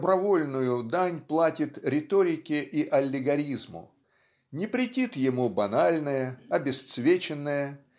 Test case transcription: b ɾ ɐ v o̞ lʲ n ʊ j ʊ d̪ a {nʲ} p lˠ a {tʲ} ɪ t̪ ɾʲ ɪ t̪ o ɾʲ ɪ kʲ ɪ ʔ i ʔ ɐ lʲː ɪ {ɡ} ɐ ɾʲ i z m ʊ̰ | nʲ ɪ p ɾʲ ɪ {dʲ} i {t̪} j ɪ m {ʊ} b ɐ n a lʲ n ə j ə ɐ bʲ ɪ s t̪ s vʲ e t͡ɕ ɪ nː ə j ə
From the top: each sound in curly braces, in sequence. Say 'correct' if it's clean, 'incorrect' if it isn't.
correct, correct, correct, incorrect: tʲ, correct, incorrect: u

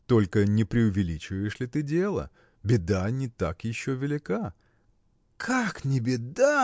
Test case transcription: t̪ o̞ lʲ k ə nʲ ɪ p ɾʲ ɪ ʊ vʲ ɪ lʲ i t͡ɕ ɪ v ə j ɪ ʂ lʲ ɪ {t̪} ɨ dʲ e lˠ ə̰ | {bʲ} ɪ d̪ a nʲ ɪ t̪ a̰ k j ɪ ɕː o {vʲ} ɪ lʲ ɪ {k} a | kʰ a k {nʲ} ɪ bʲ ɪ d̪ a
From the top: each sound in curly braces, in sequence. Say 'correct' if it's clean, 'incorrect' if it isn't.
correct, correct, correct, correct, correct

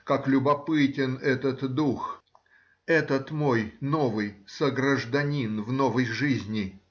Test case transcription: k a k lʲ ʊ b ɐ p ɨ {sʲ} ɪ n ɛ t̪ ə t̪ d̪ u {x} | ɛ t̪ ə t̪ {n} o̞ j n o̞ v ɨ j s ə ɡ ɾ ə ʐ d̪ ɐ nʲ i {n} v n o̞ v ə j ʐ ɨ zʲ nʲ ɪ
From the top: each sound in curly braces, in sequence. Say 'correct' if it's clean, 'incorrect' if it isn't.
incorrect: tʲ, correct, incorrect: m, correct

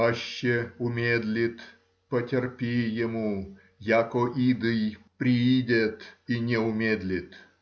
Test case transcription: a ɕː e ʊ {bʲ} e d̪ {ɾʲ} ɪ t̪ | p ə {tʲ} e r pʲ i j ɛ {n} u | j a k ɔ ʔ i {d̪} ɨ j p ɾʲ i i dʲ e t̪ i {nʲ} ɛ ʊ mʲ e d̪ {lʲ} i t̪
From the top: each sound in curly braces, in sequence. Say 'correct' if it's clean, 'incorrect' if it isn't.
incorrect: mʲ, incorrect: lʲ, correct, incorrect: m, correct, correct, correct

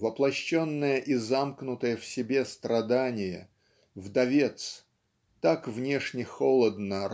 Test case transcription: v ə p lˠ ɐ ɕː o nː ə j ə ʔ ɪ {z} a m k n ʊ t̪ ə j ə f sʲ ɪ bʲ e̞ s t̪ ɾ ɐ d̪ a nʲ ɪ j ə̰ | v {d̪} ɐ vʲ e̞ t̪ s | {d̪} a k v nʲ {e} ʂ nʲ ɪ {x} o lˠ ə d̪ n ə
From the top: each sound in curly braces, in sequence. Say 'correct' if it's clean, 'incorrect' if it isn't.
correct, correct, incorrect: t̪, correct, correct

